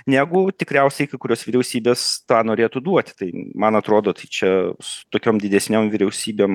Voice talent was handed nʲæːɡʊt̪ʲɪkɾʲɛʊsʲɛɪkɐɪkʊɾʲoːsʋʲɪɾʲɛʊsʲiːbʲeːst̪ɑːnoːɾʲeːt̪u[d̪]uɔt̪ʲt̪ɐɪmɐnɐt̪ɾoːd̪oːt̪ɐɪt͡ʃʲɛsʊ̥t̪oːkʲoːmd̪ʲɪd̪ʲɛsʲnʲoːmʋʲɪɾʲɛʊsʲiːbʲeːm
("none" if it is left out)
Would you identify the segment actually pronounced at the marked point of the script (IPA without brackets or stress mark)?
d̪